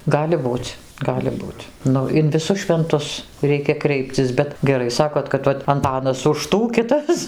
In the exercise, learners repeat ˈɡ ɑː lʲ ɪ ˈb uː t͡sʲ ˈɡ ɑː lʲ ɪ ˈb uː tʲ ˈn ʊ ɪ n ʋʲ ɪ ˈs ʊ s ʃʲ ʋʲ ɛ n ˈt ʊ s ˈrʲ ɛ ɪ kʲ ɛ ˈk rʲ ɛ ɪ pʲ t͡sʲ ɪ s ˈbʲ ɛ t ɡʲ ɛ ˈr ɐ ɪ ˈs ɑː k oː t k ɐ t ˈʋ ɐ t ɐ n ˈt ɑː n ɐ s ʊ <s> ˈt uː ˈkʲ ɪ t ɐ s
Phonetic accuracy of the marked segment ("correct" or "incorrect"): incorrect